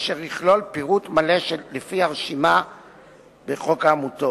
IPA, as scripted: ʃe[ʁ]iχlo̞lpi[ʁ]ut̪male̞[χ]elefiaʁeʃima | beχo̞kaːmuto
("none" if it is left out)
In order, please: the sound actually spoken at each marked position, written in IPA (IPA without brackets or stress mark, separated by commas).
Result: ʁ, ʁ, ʃ